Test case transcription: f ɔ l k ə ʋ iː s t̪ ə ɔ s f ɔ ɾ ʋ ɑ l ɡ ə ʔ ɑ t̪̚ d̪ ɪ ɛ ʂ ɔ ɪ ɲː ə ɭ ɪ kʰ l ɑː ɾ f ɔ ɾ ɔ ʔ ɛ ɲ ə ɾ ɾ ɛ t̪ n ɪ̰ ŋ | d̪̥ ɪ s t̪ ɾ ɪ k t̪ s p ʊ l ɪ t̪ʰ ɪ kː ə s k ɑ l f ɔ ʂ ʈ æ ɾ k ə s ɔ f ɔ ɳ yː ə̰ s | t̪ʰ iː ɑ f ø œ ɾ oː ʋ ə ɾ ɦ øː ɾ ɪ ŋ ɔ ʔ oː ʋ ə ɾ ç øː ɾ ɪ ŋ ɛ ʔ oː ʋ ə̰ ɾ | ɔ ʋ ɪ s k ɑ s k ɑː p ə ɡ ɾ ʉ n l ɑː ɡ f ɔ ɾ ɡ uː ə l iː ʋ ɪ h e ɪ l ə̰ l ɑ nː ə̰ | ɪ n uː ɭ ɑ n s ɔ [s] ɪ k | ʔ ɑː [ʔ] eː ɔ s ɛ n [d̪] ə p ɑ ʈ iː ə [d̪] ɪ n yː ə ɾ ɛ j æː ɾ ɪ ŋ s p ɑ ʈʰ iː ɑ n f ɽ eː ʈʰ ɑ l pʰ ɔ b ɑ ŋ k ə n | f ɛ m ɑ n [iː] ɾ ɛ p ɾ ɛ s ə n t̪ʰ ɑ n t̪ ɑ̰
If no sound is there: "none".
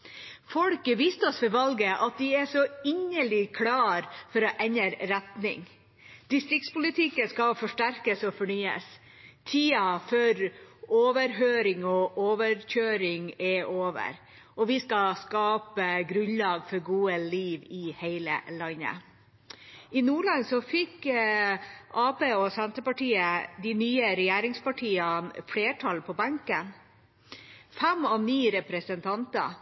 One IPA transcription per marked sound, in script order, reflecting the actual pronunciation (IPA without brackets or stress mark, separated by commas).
f, p, t̪, d̪, iː